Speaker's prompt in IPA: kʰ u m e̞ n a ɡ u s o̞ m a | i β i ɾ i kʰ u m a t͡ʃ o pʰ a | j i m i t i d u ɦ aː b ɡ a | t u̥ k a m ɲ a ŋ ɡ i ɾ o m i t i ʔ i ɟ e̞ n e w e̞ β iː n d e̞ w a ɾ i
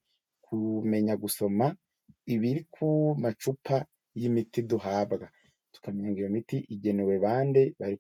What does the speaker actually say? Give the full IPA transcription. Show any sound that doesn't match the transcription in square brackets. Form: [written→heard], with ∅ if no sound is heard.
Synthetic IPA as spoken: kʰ u m e̞ [n→ɲ] a ɡ u s o̞ m a | i β i ɾ i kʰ u m a t͡ʃ [o→u] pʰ a | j i m i t i d u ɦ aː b ɡ a | t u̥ k a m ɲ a ŋ ɡ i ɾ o m i t i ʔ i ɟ e̞ n e w e̞ β [iː→aː] n d e̞ [w→β] a ɾ i